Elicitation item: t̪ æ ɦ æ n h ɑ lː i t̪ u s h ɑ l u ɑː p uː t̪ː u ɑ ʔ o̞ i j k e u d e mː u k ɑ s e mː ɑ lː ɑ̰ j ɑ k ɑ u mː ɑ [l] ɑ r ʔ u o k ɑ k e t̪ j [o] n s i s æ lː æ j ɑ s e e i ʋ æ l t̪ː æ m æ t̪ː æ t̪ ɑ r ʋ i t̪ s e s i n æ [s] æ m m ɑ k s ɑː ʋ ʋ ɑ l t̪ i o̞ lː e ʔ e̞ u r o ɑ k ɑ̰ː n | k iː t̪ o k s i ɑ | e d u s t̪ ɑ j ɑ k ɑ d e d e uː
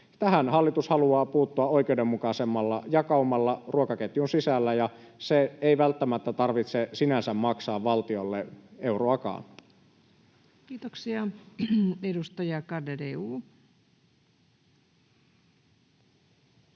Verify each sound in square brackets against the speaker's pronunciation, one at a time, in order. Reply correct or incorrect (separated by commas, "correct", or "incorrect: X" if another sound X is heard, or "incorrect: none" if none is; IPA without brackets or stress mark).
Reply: incorrect: lː, incorrect: u, correct